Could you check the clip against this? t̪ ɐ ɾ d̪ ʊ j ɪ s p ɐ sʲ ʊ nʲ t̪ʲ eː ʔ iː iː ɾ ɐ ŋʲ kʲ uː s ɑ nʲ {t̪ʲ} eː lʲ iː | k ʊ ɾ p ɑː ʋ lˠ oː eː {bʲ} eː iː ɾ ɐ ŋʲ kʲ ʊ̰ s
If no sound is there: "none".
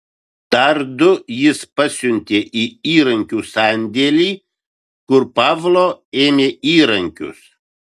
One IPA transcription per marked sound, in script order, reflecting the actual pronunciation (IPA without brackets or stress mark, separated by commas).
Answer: d̪ʲ, mʲ